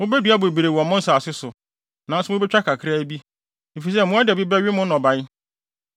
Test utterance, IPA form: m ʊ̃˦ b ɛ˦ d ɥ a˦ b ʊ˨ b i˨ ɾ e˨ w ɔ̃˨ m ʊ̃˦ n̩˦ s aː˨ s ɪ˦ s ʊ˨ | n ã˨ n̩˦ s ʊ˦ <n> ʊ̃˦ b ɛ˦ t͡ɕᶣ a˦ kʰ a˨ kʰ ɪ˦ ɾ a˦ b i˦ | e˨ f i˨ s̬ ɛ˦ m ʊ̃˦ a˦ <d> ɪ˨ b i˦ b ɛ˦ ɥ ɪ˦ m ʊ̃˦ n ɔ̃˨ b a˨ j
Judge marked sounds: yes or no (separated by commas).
no, yes